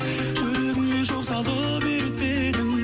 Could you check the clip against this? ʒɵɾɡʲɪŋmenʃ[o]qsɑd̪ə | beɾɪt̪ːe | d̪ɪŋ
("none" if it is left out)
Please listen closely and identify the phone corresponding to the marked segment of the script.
o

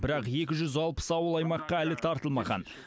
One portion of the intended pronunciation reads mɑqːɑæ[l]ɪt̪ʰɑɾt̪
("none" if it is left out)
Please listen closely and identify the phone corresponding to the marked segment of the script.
l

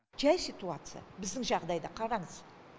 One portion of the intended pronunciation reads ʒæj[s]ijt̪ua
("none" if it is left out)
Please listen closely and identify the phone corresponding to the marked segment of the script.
s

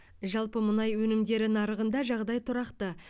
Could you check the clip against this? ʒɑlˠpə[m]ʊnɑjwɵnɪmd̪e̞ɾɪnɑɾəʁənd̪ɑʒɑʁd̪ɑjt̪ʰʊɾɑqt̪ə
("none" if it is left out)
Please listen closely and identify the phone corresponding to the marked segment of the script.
m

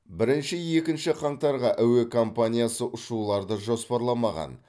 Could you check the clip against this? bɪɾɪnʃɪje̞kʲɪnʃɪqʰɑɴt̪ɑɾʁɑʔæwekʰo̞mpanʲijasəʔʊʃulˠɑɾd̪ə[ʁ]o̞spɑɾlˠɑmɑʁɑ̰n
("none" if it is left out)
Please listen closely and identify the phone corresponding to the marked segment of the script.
ʒ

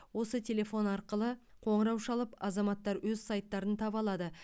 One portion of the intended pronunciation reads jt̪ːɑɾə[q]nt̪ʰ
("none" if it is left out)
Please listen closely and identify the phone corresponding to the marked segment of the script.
none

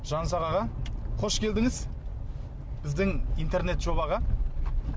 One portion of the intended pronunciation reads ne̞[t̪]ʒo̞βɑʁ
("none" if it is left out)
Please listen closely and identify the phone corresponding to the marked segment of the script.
t̪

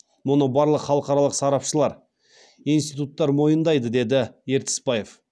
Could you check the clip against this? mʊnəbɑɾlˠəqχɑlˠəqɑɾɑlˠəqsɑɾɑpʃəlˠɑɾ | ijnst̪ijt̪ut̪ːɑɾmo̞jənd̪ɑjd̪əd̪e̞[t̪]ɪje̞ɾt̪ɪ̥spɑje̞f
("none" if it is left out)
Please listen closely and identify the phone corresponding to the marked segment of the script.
d̪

